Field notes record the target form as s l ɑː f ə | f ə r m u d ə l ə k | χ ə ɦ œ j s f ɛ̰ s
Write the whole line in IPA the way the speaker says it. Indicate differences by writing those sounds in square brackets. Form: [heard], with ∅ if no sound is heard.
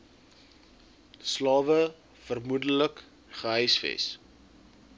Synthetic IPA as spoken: s l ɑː [v] ə | f ə r m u d ə l ə k | χ ə ɦ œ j s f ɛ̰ s